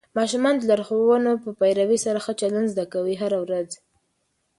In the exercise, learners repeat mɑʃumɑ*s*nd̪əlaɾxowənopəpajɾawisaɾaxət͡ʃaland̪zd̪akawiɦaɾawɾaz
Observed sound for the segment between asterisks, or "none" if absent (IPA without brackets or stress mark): none